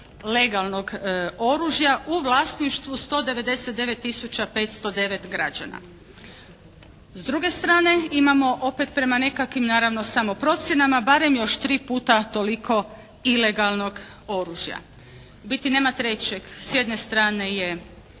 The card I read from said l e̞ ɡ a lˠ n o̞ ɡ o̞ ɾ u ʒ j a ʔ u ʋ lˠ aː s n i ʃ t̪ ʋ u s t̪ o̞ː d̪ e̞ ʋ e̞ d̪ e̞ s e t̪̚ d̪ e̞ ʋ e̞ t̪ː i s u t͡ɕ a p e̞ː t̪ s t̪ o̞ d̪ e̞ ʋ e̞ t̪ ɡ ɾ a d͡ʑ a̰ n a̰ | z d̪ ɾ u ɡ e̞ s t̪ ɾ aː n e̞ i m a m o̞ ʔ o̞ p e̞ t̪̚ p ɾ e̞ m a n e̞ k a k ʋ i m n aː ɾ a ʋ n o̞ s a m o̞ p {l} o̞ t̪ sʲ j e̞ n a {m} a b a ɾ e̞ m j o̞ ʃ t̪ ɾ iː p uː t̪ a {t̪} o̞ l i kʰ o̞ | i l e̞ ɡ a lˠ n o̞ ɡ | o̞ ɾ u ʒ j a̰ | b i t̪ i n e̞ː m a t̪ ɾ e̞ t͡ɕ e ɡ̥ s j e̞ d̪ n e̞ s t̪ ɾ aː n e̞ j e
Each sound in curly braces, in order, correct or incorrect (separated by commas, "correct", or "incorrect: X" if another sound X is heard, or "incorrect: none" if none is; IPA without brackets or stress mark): incorrect: ɾ, correct, correct